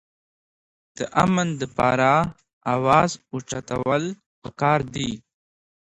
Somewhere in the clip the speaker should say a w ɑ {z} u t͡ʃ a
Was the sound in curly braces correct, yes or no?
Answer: yes